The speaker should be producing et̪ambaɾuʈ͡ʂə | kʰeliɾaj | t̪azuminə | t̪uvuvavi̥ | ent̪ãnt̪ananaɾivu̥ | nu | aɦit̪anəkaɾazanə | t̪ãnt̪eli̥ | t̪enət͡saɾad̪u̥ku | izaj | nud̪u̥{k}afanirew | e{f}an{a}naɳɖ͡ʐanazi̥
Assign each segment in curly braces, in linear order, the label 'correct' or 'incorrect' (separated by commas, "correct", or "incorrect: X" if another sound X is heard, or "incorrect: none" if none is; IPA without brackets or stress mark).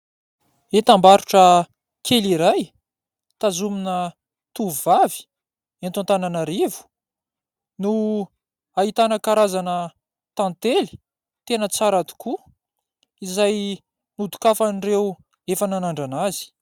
correct, correct, correct